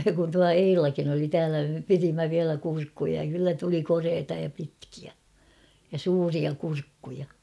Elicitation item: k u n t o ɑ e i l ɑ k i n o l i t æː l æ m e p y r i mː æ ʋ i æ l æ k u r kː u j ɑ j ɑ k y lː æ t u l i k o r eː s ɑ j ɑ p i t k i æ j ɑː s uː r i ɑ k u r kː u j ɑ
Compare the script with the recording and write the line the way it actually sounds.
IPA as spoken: k u n t u ɑ e i l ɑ k i n o l i t æː l æ m e p i r i mː æ ʋ i æ l æ k u r kː u j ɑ j ɑ k y lː æ t u l i k o r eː t ɑ j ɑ p i t k i æ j ɑ s uː r i ɑ k u r kː u j ɑ